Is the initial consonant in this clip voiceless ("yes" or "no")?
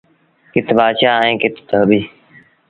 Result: yes